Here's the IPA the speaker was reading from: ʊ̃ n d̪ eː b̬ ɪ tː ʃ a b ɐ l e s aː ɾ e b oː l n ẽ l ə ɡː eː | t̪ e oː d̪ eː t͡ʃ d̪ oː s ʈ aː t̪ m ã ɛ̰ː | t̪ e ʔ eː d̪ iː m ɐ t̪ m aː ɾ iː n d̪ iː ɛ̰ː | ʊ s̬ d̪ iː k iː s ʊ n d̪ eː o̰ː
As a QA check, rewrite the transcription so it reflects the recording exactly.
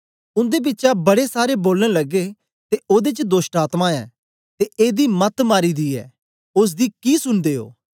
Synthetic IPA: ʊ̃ n d̪ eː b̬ ɪ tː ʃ a b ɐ ɽ e s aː ɾ e b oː l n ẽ l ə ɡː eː | t̪ e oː d̪ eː t͡ʃ d̪ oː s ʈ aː t̪ m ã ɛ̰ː | t̪ e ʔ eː d̪ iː m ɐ t̪ m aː ɾ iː d̪ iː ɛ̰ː | ʊ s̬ d̪ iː k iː s ʊ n d̪ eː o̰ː